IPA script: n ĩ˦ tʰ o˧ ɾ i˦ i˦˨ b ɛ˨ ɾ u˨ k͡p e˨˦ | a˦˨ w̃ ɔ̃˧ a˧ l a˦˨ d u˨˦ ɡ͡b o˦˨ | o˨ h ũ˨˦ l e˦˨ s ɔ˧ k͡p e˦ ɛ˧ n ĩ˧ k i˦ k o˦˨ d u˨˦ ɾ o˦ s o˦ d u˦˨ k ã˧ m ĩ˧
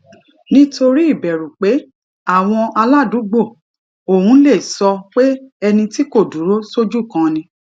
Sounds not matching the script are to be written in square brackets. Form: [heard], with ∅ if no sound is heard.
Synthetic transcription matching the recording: n ĩ˦ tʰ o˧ ɾ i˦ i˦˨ b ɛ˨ ɾ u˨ k͡p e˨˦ | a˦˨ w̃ ɔ̃˧ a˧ l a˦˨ d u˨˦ ɡ͡b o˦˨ | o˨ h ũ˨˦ l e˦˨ s ɔ˧ k͡p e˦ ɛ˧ n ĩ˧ [t] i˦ k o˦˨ d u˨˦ ɾ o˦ s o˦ [d͡ʒ] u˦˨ k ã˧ [n] ĩ˧